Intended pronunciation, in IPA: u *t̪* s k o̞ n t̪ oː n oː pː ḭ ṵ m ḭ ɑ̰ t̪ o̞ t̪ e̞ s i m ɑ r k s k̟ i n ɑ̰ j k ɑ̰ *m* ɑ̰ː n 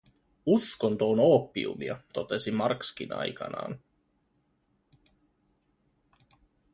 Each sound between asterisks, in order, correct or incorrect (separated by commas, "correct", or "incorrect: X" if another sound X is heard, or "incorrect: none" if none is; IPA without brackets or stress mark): incorrect: none, incorrect: n